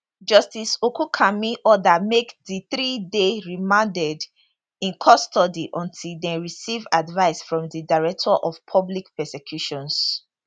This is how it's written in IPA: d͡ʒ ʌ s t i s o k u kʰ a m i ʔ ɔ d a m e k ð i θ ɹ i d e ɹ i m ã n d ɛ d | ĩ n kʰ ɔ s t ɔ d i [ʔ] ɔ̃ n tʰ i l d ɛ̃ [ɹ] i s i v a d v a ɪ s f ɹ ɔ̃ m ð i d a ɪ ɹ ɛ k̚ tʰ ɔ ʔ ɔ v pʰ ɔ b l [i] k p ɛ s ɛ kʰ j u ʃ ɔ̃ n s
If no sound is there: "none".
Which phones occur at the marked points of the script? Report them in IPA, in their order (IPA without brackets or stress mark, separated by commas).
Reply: ʔ, ɹ, i